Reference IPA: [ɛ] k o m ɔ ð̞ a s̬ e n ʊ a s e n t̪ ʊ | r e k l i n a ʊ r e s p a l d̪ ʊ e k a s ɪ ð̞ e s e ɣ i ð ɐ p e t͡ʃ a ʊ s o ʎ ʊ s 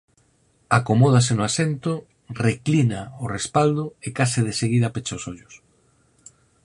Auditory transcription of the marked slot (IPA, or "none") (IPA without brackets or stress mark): a